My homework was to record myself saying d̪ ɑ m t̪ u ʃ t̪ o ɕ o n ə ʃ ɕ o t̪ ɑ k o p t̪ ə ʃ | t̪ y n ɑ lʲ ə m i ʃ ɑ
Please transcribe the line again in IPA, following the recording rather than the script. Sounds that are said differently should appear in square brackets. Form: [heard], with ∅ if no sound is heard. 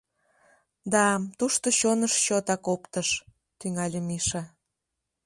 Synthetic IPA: d̪ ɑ m t̪ u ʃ t̪ o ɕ o n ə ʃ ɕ o t̪ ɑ k o p t̪ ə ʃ | t̪ y [ŋ] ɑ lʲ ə m i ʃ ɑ